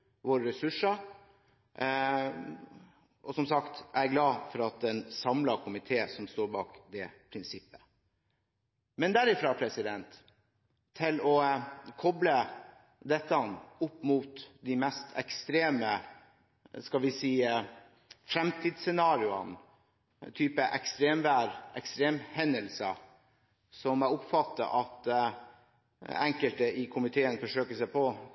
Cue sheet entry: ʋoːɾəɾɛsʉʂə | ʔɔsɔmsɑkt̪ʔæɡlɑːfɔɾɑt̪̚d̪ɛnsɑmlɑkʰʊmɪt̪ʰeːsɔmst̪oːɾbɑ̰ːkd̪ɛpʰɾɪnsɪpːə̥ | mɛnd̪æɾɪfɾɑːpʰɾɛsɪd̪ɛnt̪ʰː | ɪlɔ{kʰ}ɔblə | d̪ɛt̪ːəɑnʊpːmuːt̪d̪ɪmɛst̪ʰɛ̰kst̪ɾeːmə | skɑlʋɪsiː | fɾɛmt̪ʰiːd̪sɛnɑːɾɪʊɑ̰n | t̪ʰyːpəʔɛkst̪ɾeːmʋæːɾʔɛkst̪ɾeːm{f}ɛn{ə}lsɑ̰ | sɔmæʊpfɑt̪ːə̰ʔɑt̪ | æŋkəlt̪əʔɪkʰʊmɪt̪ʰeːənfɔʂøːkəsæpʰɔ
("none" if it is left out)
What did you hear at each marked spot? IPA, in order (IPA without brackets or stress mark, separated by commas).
kʰ, h, ə